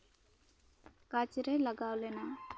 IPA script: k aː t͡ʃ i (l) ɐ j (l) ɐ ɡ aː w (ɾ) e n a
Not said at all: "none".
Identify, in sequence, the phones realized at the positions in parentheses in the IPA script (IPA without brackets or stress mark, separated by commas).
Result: ɾ, l, l